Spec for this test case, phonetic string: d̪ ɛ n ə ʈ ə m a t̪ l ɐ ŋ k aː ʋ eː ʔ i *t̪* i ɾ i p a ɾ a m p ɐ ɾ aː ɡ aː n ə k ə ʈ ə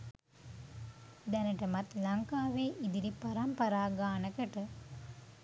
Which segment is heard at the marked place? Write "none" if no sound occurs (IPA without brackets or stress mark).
d̪